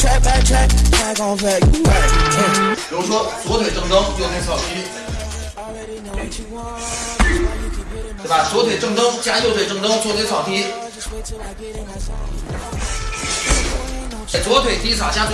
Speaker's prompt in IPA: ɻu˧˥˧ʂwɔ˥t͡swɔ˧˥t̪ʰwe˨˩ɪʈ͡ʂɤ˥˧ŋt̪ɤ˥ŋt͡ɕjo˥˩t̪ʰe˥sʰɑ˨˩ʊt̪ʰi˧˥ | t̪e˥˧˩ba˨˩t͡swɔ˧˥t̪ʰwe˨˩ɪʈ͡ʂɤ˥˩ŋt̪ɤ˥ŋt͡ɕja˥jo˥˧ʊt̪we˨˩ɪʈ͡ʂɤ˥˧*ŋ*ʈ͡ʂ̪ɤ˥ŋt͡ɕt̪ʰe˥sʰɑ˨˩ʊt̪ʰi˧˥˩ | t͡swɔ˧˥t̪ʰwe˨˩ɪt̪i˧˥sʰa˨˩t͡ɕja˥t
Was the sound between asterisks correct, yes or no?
yes